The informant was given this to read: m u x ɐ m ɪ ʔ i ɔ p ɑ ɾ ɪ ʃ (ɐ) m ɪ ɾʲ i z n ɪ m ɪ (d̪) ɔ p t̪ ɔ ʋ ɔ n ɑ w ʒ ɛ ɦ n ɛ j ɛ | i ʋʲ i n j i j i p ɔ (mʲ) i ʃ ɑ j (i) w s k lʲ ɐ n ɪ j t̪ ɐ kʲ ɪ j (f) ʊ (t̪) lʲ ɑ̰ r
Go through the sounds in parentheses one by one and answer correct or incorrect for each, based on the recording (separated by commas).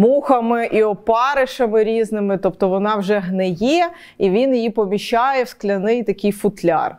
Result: correct, incorrect, correct, incorrect, correct, correct